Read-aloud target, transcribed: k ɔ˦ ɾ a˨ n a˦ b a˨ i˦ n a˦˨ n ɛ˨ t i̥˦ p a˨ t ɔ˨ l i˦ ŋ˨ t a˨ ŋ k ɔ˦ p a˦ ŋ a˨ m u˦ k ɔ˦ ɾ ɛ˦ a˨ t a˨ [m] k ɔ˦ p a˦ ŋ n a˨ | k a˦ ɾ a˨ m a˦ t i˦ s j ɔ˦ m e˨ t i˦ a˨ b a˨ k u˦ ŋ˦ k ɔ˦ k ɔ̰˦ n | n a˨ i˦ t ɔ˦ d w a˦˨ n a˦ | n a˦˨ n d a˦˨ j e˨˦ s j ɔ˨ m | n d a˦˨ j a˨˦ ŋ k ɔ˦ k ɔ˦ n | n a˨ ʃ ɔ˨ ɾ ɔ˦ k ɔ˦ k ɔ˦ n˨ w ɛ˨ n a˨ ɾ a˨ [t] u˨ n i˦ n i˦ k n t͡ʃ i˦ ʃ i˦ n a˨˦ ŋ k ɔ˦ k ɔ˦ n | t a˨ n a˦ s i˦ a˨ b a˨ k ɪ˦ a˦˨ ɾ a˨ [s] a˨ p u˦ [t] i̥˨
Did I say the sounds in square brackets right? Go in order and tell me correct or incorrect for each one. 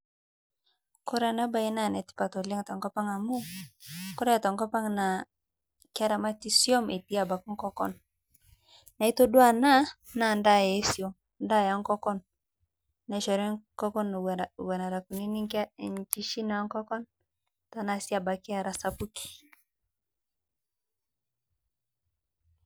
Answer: incorrect: ŋ, incorrect: k, correct, incorrect: k

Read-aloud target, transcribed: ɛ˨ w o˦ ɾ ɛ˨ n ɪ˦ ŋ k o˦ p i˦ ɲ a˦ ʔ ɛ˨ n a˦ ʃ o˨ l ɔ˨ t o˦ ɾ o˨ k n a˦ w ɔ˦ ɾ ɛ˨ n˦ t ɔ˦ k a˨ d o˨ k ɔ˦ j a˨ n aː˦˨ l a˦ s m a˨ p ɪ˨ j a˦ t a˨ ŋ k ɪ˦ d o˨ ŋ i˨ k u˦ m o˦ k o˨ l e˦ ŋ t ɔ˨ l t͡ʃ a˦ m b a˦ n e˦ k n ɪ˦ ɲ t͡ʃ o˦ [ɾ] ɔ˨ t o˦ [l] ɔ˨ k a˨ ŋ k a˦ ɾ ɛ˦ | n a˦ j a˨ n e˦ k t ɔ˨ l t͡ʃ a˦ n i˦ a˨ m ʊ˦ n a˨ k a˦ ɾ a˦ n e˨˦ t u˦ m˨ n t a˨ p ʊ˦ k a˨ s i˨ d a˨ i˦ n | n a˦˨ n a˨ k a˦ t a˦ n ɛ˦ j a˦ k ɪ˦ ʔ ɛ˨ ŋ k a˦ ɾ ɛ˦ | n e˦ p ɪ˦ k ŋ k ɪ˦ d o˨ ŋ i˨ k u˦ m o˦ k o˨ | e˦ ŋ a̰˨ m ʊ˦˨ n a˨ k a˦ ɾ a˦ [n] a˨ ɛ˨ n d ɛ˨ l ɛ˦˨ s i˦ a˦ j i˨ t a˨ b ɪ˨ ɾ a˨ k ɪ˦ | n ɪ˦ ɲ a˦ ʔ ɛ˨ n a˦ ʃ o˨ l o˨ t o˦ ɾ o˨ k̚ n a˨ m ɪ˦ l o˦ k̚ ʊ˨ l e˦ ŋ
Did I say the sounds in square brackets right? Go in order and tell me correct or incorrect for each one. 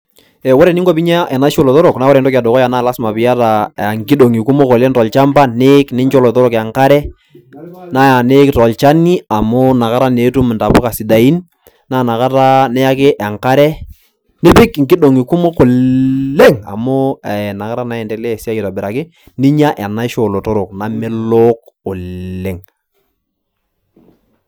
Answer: incorrect: l, incorrect: ɾ, correct

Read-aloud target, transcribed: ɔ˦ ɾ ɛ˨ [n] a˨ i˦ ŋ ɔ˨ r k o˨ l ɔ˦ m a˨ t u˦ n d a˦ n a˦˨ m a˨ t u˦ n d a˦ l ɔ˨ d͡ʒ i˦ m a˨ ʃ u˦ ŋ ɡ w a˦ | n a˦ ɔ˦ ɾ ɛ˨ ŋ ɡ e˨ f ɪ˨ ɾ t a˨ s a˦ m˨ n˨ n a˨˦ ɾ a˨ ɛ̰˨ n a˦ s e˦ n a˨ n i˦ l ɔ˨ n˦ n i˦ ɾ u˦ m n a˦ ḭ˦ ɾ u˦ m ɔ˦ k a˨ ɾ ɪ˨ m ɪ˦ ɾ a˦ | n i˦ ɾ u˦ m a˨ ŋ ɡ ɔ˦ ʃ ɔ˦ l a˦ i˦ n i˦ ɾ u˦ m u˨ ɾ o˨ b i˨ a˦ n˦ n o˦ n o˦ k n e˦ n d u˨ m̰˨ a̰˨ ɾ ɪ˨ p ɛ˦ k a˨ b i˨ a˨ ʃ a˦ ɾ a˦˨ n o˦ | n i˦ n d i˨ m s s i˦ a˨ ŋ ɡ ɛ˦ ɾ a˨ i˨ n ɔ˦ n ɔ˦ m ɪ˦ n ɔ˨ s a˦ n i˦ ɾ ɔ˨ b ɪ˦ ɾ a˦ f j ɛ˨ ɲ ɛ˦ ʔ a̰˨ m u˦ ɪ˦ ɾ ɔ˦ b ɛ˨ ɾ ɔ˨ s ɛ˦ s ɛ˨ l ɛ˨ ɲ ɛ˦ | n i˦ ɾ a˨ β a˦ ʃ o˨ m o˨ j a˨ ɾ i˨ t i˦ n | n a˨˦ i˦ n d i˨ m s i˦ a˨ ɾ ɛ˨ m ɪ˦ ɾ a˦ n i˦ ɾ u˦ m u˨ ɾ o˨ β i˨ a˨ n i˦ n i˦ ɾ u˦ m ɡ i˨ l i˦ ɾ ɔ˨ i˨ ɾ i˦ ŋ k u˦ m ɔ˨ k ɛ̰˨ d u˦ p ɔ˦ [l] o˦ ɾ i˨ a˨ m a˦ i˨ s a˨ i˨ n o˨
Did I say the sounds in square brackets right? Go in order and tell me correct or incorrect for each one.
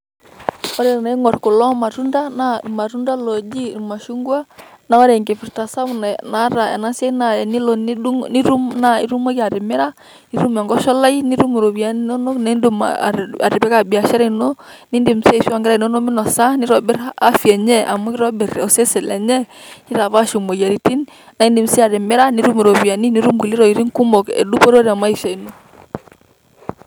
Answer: correct, incorrect: ɾ

